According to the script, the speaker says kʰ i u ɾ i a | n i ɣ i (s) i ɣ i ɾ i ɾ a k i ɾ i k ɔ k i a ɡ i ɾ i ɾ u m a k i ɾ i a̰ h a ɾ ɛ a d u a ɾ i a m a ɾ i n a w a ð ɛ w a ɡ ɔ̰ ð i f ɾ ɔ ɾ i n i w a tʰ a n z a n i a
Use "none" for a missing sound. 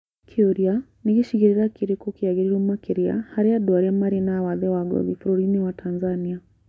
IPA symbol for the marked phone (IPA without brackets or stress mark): ʃ